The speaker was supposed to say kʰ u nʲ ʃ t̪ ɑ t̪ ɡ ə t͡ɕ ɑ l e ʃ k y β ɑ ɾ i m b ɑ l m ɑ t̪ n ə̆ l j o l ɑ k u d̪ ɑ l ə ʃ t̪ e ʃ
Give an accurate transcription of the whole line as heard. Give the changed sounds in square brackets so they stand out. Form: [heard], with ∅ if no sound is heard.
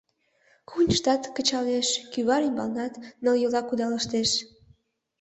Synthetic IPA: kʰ u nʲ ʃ t̪ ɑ t̪ [k] ə t͡ɕ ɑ l e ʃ k y β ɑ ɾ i m b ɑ l [n] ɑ t̪ n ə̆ l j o l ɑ k u d̪ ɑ l ə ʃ t̪ e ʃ